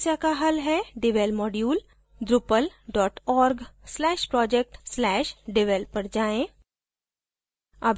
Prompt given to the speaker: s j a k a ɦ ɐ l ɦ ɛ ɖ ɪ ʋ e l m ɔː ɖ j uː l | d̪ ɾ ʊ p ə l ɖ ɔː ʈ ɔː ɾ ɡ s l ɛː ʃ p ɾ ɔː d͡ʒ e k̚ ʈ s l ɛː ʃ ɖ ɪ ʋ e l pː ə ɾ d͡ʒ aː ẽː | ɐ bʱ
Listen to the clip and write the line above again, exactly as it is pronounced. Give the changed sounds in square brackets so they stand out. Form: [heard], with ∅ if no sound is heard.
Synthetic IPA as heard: s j a k a ɦ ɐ l ɦ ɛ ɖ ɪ ʋ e l m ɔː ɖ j uː l | d̪ ɾ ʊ p ə l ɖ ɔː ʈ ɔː ɾ ɡ s l ɛː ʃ p ɾ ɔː d͡ʒ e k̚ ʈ s l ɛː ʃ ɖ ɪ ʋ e l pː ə ɾ d͡ʒ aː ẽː | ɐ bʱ